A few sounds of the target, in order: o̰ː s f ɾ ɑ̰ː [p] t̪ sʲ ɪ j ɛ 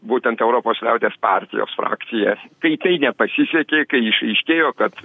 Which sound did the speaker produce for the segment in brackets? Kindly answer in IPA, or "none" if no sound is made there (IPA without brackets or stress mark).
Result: k